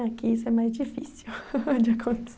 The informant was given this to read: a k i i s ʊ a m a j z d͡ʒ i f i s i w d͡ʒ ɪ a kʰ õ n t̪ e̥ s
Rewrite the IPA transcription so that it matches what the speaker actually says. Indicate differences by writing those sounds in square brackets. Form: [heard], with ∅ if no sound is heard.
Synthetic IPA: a k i i s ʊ [ɛ] m a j z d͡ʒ i f i s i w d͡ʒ ɪ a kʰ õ n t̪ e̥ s

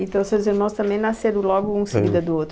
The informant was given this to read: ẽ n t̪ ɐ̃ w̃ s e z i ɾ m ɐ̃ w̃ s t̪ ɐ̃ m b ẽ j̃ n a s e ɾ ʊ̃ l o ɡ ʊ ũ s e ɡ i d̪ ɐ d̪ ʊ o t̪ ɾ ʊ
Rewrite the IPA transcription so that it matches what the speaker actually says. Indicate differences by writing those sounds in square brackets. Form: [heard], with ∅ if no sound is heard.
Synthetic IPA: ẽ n t̪ ɐ̃ w̃ s e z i ɾ m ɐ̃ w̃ s t̪ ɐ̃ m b ẽ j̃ n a s e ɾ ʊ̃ l [ɔ] ɡ ʊ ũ s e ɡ i d̪ ɐ d̪ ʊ o t̪ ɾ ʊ

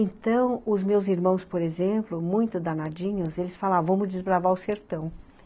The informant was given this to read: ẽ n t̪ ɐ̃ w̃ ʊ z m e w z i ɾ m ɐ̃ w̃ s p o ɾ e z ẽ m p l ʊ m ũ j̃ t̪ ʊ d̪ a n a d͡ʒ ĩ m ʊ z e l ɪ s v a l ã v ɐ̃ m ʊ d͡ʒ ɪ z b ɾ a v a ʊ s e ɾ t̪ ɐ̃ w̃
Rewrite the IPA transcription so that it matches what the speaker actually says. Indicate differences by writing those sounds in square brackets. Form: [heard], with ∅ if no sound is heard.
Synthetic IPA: ẽ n t̪ ɐ̃ w̃ ʊ z m e w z i ɾ m ɐ̃ w̃ s p o ɾ e z ẽ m p l ʊ m ũ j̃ t̪ ʊ d̪ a n a d͡ʒ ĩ [ɲ] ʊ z e l ɪ s [f] a l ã v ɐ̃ m ʊ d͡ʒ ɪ z b ɾ a v a ʊ s e ɾ t̪ ɐ̃ w̃

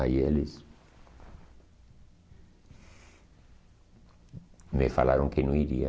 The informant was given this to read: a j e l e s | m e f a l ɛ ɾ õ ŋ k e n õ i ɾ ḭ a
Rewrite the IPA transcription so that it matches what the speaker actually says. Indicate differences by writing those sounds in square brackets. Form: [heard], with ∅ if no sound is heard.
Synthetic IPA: a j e l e s | m e f a l [a] ɾ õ ŋ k e n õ i ɾ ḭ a

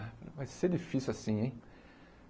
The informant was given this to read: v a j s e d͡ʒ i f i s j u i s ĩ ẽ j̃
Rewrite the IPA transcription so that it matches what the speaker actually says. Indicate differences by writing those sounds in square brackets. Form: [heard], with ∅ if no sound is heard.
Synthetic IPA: v a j s e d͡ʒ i f i s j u [a] s ĩ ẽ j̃

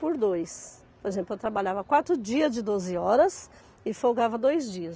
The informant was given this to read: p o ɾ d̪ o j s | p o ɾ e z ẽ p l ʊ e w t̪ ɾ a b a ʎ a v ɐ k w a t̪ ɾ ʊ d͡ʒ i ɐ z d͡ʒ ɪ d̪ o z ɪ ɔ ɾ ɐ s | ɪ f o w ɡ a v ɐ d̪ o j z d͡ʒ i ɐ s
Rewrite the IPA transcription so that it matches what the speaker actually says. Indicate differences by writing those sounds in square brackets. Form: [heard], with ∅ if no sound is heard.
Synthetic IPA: p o ɾ d̪ o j s | p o ɾ e z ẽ p l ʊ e w t̪ ɾ a b a ʎ a v ɐ k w a t̪ ɾ ʊ d͡ʒ i ɐ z d͡ʒ ɪ d̪ o z ɪ ɔ ɾ ɐ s | ɪ f o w ɡ a v ɐ d̪ o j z d͡ʒ i ɐ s

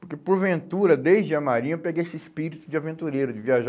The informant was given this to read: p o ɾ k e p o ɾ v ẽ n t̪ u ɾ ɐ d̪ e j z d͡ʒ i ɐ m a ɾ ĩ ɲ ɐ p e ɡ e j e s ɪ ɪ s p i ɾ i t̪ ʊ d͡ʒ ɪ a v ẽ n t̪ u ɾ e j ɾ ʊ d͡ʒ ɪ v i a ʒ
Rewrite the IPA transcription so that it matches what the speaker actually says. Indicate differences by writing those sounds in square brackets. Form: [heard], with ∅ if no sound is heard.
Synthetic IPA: p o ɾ k e p o ɾ v ẽ n t̪ u ɾ ɐ d̪ e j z d͡ʒ [ɪ] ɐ m a ɾ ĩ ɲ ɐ p e ɡ e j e s ɪ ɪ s p i ɾ i t̪ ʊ d͡ʒ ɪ a v ẽ n t̪ u ɾ e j ɾ ʊ d͡ʒ ɪ v i a ʒ

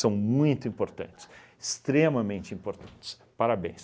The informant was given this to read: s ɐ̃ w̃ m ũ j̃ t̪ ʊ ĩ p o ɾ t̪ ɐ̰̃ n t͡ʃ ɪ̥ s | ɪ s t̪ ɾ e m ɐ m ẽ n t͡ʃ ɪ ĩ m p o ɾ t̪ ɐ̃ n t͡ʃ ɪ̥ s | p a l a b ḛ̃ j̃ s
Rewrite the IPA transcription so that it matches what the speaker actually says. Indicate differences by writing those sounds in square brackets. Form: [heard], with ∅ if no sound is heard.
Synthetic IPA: s ɐ̃ w̃ m ũ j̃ t̪ ʊ ĩ p o ɾ t̪ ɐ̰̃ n t͡ʃ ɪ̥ s | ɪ s t̪ ɾ e m ɐ m ẽ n t͡ʃ ɪ ĩ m p o ɾ t̪ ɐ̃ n t͡ʃ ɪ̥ s | p a [ɾ] a b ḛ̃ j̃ s

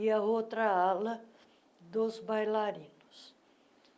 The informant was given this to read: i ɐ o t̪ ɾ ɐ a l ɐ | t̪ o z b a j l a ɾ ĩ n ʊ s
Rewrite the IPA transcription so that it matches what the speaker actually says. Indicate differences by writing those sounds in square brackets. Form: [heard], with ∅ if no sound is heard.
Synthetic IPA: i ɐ o t̪ ɾ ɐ a l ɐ | [d̪] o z b a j l a ɾ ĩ n ʊ s

